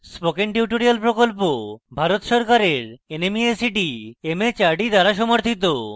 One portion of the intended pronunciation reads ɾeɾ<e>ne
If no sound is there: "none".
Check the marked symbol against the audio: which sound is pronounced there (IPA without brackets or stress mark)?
e